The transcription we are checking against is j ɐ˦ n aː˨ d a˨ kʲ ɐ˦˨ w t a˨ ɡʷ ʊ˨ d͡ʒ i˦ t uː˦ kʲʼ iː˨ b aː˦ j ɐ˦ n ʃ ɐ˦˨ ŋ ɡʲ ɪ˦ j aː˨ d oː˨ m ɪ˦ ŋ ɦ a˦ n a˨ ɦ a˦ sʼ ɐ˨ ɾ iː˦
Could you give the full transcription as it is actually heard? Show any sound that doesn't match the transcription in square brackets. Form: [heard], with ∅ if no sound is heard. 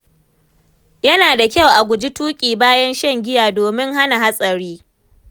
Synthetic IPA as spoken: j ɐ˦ n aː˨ d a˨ kʲ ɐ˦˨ w [ʔ] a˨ ɡʷ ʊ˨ d͡ʒ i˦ t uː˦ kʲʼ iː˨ b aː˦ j ɐ˦ n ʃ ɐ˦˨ ŋ ɡʲ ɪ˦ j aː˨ d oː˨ m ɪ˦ ŋ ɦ a˦ n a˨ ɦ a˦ sʼ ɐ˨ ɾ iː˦